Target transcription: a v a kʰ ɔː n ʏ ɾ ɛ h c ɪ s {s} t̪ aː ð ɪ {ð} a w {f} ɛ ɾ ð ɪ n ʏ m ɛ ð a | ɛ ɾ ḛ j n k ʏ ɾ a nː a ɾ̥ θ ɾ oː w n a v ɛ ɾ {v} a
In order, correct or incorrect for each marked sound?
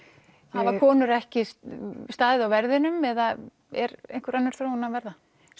correct, correct, incorrect: v, incorrect: ð

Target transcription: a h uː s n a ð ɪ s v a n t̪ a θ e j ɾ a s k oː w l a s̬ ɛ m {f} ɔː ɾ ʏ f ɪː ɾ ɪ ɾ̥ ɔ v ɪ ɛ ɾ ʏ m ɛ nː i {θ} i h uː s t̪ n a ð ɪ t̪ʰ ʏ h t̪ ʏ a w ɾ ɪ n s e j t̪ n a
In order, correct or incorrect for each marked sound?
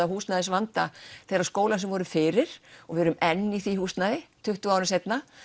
incorrect: v, correct

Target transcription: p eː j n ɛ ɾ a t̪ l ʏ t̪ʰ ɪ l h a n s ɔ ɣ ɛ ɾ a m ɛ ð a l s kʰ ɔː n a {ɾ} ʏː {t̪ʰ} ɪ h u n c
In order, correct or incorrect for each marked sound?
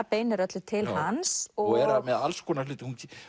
incorrect: l, incorrect: t̪

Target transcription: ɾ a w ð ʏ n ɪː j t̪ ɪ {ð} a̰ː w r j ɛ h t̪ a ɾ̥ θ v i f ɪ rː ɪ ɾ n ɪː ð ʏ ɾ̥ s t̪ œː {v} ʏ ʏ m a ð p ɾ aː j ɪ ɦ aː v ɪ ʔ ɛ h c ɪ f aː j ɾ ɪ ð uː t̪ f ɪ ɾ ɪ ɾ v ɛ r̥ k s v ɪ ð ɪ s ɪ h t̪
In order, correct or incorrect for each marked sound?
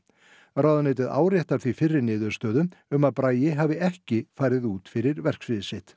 correct, incorrect: ð

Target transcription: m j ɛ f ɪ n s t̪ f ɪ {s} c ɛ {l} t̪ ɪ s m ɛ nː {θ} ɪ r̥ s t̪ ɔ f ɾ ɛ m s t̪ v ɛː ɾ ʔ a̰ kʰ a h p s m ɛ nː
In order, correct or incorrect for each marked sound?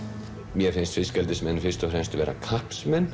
correct, correct, incorrect: f

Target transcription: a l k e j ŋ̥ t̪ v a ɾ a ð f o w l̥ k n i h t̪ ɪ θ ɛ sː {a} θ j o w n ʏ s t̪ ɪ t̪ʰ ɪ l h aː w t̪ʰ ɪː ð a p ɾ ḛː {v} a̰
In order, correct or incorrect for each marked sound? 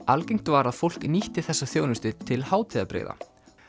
correct, incorrect: ð

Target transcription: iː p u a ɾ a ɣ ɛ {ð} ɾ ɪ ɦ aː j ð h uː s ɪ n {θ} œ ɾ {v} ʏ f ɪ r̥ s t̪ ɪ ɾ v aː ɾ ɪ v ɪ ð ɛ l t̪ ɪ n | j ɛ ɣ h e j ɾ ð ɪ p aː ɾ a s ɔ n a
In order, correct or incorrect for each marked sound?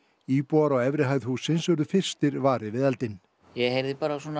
incorrect: v, incorrect: s, incorrect: ð

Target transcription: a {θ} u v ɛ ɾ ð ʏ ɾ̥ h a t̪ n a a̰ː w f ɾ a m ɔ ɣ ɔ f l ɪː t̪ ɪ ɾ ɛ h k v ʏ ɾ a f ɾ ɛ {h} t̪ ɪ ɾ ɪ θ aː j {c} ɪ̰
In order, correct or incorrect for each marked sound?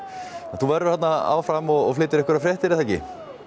correct, correct, correct

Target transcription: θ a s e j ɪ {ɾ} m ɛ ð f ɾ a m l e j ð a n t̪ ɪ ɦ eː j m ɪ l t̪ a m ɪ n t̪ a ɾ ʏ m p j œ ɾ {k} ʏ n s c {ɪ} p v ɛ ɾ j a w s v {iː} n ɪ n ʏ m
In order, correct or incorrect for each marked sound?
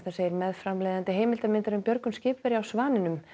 correct, correct, incorrect: ɪː, incorrect: aː

